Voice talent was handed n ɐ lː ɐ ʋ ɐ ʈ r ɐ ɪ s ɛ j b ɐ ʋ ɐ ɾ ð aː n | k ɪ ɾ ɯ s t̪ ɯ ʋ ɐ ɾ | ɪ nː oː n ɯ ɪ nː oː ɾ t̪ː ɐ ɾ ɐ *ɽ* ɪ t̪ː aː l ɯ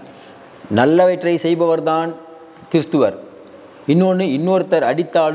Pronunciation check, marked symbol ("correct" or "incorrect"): correct